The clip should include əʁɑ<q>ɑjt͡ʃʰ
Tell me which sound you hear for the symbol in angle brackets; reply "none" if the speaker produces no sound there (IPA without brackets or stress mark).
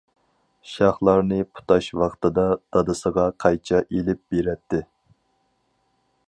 qʰ